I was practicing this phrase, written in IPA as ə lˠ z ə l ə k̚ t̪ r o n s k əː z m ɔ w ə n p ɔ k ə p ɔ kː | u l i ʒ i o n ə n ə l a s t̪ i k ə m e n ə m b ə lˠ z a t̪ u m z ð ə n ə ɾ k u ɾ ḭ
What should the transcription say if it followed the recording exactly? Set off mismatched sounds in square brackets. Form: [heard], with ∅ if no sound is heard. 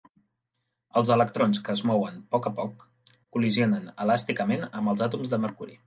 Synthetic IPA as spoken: ə lˠ z ə l ə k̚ t̪ [ɾ] o n s k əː z m ɔ w ə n p ɔ k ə p ɔ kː | u l i [z] i o n ə n ə l a s t̪ i k ə m e n ə m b ə lˠ z a t̪ u m z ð ə [m] ə ɾ k u ɾ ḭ